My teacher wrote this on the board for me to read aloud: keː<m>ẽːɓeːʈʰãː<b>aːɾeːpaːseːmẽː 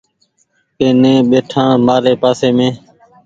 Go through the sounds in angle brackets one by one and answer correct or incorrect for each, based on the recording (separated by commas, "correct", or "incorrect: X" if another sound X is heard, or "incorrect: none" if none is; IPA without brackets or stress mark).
incorrect: n, incorrect: m